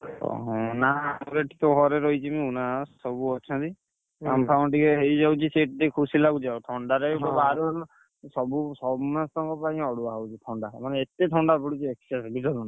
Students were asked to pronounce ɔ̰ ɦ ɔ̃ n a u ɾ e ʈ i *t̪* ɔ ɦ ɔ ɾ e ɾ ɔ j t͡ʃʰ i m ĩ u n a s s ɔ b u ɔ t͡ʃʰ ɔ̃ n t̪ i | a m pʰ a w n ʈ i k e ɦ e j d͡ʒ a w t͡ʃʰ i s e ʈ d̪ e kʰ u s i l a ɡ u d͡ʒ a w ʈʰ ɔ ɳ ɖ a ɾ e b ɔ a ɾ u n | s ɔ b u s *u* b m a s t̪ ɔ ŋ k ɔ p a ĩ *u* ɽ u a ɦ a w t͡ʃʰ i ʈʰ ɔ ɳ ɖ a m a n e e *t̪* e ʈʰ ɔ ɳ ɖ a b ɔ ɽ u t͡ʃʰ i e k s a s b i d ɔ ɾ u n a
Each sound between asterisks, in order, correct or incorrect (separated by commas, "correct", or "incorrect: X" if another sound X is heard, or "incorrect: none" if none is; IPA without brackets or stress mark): correct, incorrect: ɔ, incorrect: ɔ, correct